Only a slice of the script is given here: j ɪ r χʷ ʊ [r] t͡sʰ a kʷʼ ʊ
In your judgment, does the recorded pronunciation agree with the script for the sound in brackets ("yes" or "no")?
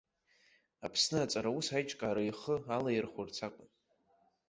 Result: yes